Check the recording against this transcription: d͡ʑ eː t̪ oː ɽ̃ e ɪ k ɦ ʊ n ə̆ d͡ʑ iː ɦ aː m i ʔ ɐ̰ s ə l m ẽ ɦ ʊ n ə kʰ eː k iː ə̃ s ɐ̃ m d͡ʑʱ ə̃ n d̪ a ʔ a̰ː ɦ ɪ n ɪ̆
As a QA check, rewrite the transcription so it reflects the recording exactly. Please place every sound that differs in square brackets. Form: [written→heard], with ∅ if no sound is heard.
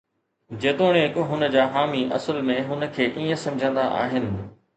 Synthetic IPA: d͡ʑ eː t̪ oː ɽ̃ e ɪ k ɦ ʊ n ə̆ d͡ʑ [iː→aː] ɦ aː m i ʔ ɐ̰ s ə l m ẽ ɦ ʊ n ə kʰ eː [k→ʔ] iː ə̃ s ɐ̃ m d͡ʑʱ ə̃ n d̪ a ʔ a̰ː ɦ ɪ n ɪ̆